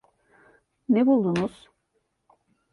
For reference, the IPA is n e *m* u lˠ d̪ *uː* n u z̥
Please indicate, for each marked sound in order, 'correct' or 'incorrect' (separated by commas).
incorrect, incorrect